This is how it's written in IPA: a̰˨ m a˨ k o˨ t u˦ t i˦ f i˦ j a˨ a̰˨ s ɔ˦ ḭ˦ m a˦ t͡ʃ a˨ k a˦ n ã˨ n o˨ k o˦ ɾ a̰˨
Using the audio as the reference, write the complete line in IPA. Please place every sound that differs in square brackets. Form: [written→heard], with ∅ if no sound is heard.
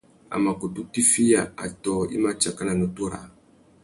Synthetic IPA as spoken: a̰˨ m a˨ k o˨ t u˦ t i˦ f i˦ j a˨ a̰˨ [s→t] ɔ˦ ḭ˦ m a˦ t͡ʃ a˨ k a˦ n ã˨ n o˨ [k→t] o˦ ɾ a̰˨